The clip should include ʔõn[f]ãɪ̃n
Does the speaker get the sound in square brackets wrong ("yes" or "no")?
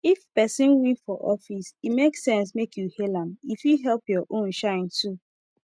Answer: yes